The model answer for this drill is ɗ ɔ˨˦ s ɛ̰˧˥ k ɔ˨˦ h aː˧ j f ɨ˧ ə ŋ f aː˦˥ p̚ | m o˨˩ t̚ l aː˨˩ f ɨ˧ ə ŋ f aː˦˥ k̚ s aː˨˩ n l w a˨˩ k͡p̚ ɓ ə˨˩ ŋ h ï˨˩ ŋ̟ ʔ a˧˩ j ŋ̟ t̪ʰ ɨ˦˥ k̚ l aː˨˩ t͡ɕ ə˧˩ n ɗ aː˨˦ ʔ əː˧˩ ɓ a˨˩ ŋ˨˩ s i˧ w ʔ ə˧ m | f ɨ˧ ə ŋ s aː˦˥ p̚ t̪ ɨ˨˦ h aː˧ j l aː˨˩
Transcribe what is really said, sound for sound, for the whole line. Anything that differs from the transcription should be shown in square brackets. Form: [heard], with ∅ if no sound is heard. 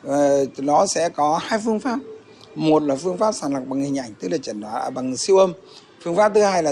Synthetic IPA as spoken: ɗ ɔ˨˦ s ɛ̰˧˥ k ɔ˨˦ h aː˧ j f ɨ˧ ə ŋ f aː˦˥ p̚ | m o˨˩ t̚ l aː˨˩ f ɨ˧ ə ŋ f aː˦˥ [p̚] s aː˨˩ n l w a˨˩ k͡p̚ ɓ [a˨˩] ŋ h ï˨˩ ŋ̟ ʔ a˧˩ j ŋ̟ [t̪] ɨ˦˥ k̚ l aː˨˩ t͡ɕ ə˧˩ n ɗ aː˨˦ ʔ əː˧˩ ɓ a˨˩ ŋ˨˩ s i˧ w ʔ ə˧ m | f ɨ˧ ə ŋ [f] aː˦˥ p̚ t̪ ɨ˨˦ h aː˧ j l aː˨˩